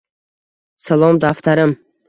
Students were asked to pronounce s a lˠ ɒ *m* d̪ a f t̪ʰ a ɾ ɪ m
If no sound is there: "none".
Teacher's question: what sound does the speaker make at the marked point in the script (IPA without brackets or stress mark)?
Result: m